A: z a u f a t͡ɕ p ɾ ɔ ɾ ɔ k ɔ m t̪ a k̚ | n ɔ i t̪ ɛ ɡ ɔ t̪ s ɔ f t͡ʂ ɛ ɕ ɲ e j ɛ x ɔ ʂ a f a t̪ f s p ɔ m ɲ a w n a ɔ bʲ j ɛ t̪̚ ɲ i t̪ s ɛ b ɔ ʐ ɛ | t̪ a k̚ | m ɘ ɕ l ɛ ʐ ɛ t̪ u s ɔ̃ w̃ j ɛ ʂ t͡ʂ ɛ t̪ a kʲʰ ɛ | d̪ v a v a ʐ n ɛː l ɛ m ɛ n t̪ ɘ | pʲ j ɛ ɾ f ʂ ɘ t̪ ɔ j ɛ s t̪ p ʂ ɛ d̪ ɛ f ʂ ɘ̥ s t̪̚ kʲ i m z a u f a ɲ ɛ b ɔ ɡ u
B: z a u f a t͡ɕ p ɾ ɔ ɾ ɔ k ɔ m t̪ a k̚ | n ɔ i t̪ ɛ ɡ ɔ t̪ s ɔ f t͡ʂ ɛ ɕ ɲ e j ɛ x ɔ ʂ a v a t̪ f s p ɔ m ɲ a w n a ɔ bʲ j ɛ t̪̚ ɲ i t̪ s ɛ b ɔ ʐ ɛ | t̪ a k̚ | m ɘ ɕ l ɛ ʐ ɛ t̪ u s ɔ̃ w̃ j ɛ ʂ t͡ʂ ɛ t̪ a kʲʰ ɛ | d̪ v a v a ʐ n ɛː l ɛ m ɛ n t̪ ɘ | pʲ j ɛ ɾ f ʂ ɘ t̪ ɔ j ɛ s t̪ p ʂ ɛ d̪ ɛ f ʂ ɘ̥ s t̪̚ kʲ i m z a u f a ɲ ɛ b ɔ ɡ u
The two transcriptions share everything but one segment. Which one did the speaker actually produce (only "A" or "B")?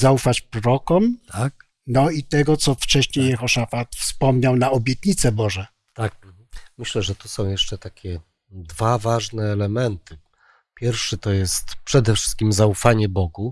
A